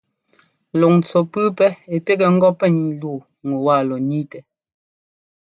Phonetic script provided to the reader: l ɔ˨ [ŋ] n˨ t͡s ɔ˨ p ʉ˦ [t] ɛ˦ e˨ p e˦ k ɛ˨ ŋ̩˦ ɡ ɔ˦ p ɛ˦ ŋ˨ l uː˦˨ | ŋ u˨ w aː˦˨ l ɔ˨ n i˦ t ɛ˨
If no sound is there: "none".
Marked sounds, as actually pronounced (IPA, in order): ŋ, p

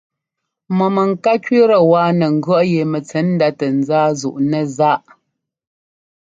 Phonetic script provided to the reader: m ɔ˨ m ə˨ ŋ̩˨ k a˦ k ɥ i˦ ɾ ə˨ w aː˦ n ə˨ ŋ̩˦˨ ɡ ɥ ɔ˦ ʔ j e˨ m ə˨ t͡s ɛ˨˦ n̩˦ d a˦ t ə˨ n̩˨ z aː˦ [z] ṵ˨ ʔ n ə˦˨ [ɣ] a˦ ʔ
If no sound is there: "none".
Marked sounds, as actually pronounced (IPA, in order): z, z

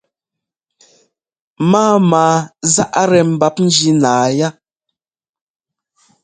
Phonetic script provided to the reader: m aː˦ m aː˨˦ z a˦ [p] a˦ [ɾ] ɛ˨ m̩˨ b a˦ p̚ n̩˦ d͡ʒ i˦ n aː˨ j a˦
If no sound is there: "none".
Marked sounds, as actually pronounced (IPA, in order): ʔ, ɾ

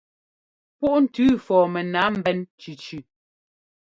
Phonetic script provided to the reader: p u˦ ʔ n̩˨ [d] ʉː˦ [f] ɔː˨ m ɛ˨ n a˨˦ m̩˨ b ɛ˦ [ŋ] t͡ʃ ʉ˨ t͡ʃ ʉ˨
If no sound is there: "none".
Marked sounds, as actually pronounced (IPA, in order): t, f, n

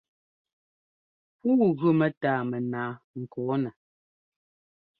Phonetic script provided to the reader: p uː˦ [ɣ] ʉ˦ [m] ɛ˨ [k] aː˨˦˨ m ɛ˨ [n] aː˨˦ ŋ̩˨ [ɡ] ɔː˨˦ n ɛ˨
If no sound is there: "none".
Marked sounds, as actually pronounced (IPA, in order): ɣ, m, t, n, k

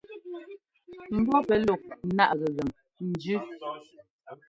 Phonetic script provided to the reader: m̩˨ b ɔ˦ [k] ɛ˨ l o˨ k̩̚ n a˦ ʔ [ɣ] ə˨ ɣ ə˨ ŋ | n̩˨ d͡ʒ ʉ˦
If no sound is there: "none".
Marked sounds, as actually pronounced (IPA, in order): p, ɣ

